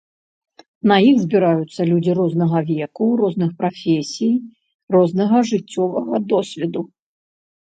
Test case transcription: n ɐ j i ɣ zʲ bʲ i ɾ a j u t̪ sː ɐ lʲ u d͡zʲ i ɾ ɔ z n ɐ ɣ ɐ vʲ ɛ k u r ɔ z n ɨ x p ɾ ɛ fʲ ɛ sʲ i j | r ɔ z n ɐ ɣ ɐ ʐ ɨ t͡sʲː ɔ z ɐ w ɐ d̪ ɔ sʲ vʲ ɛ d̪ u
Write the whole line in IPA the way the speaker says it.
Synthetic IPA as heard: n ɐ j i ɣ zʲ bʲ i ɾ a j u t̪ sː ɐ lʲ u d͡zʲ i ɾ ɔ z n ɐ ɣ ɐ vʲ ɛ k u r ɔ z n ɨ x p ɾ a fʲ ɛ sʲ i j | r ɔ z n ɐ ɣ ɐ ʐ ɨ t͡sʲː ɔ v ɐ ɣ ɐ d̪ ɔ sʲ vʲ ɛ d̪ u